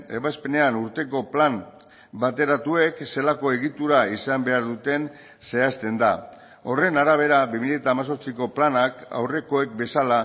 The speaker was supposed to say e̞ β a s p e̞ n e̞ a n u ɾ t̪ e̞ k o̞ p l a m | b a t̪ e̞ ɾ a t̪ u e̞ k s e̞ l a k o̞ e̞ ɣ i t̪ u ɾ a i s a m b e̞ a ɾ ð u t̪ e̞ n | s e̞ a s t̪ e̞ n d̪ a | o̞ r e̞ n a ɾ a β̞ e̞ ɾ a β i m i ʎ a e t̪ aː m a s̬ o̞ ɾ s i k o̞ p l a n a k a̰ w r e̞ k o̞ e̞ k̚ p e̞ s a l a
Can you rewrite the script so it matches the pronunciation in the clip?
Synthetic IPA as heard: e̞ β a s p e̞ n e̞ a n u ɾ t̪ e̞ k o̞ p l a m | b a t̪ e̞ ɾ a t̪ u e̞ k s e̞ l a k o̞ e̞ ɣ i t̪ u ɾ a i s a m b e̞ a ɾ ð u t̪ e̞ n | s e̞ a s t̪ e̞ n d̪ a | o̞ r e̞ n a ɾ a β̞ e̞ ɾ a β i m i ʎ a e t̪ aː m a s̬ o̞ ɾ t͡s i k o̞ p l a n a k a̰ w r e̞ k o̞ e̞ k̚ b e̞ s a l a